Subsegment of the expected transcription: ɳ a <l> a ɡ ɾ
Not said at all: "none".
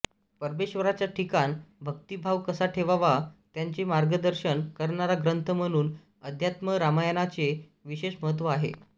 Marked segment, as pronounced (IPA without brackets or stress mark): ɾ